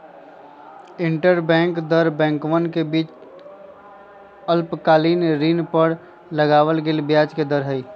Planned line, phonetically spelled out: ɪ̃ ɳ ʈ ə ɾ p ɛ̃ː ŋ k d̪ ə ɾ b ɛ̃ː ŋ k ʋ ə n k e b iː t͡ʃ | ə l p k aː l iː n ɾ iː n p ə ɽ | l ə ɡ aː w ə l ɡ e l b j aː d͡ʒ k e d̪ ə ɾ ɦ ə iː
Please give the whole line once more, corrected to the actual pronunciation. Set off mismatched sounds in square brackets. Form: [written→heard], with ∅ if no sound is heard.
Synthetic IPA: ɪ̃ ɳ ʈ ə ɾ [p→b] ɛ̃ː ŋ k d̪ ə ɾ b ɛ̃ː ŋ k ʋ ə n k e b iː t͡ʃ | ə l p k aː l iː n ɾ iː n p ə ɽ | l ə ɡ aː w ə l ɡ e l b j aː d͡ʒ k e d̪ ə ɾ ɦ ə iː

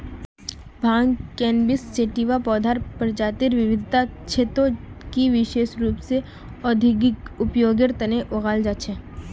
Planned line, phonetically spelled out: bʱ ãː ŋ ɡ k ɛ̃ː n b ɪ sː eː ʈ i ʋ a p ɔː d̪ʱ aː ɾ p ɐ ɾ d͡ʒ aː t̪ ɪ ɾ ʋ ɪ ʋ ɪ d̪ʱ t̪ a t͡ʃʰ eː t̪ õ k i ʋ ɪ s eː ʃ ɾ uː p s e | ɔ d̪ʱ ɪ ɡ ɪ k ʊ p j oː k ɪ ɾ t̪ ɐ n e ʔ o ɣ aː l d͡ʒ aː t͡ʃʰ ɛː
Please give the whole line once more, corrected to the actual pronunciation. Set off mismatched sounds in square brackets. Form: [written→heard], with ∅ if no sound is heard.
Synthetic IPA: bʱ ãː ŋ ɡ k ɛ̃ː n b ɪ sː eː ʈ i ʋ a p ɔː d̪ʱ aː ɾ p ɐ ɾ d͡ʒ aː t̪ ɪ ɾ ʋ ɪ ʋ ɪ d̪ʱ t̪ a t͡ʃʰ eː t̪ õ k i ʋ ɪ [s→ʃ] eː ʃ ɾ uː p s e | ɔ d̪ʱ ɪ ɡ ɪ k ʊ p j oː [k→ɡ] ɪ ɾ t̪ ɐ n e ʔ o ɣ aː l d͡ʒ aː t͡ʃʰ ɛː

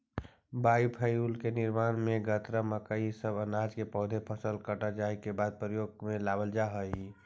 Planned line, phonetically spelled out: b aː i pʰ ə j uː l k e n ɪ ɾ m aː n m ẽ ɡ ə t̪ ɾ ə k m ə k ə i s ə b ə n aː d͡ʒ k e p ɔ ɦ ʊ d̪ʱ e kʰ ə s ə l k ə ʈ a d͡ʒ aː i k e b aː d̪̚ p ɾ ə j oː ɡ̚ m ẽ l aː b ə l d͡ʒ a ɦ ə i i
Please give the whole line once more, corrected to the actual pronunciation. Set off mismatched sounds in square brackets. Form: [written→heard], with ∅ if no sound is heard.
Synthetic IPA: b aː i pʰ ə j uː l k e n ɪ ɾ m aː n m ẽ ɡ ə t̪ ɾ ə [k→∅] m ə k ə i s ə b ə n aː d͡ʒ k e p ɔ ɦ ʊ d̪ʱ e [kʰ→pʰ] ə s ə l k ə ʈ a d͡ʒ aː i k e b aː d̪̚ p ɾ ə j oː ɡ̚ m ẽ l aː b ə l d͡ʒ a ɦ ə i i

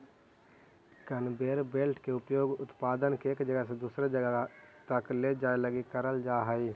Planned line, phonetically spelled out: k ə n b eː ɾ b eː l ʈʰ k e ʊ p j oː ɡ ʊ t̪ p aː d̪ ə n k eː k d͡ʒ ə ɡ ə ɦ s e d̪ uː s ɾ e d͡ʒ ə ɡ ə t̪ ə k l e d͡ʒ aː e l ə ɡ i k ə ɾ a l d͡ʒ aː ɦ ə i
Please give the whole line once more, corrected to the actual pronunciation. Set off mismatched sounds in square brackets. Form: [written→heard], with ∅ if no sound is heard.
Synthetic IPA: k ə n b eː ɾ b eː l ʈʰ k e ʊ p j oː ɡ ʊ t̪ p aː d̪ ə n k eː k d͡ʒ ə ɡ ə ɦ s e d̪ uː s ɾ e d͡ʒ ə ɡ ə t̪ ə k l e d͡ʒ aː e l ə ɡ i k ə ɾ [a→ə] l d͡ʒ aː ɦ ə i

